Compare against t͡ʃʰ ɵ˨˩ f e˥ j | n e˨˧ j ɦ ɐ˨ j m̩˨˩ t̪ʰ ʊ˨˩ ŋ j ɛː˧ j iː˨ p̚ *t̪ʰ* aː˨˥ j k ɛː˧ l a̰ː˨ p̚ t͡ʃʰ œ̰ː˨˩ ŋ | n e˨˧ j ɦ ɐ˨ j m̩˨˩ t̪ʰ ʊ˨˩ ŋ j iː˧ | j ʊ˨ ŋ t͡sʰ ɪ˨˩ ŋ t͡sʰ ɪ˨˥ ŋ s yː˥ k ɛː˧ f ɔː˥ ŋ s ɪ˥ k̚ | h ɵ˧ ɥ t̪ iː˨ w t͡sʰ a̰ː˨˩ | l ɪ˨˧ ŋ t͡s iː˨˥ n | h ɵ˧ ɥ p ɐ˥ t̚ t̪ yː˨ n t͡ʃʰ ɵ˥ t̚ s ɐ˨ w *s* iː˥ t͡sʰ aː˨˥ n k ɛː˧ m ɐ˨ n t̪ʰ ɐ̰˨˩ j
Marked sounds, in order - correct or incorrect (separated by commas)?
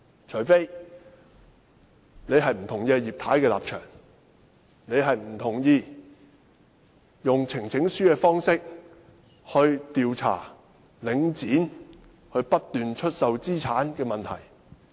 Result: correct, incorrect